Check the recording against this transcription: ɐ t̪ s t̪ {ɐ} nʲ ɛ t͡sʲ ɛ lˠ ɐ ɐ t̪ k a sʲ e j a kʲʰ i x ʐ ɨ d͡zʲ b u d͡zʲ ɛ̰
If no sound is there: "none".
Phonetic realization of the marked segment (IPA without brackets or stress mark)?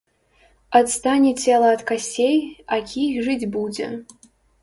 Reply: a